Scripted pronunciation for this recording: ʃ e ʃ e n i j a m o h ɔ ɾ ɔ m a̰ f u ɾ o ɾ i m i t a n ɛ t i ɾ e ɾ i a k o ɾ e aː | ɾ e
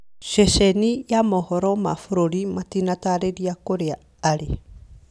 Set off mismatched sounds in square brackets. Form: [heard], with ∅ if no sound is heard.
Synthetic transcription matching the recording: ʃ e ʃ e n i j a m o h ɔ ɾ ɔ m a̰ f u ɾ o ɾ i m [a] t [i] n [a] t [a] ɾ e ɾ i a k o ɾ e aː | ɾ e